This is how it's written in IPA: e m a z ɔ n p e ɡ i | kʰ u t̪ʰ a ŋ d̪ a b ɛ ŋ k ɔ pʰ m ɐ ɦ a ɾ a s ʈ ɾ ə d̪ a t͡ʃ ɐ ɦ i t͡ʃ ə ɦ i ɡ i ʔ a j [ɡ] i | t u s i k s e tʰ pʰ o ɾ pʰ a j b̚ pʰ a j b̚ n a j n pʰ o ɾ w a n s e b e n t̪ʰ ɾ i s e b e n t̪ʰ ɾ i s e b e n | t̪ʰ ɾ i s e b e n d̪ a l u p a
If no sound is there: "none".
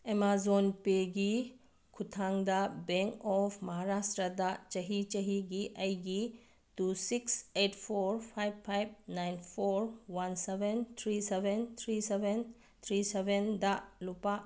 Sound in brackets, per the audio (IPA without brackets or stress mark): ɡ